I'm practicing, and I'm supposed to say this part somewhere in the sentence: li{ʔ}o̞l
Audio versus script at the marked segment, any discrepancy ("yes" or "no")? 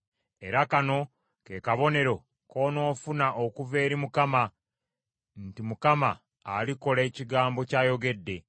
yes